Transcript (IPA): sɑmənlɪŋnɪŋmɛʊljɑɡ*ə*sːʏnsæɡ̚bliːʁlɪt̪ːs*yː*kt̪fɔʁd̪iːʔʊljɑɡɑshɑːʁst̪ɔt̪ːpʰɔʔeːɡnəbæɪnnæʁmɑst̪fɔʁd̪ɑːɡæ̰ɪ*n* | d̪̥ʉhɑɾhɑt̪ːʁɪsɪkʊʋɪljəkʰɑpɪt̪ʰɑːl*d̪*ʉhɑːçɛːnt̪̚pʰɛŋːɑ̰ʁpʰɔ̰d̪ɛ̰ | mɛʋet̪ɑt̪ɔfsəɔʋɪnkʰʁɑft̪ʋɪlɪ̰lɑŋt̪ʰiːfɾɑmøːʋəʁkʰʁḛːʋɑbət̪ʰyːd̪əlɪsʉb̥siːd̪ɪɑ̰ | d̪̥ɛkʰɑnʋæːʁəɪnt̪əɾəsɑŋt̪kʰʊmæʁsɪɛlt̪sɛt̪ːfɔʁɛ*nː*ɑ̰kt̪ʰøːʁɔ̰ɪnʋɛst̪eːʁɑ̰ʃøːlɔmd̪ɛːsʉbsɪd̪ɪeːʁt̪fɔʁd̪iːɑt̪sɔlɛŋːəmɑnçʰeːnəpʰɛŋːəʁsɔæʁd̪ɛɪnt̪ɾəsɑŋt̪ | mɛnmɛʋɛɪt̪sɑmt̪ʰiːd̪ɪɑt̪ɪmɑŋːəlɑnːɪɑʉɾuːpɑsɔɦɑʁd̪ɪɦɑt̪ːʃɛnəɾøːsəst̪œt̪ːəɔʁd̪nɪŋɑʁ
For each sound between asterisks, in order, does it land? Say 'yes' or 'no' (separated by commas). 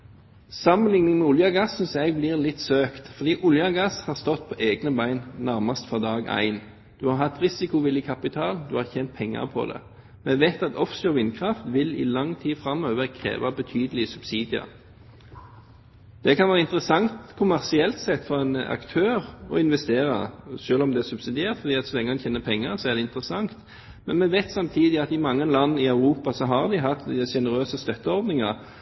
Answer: no, no, yes, yes, no